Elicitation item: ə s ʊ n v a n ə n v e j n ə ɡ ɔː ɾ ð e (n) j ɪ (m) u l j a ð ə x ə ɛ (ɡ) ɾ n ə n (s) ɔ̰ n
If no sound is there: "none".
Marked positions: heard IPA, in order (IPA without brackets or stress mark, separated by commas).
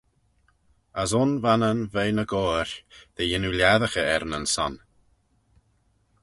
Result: none, n, none, s